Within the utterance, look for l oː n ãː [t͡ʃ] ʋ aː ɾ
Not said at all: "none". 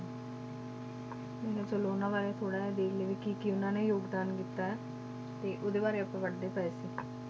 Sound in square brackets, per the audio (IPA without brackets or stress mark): none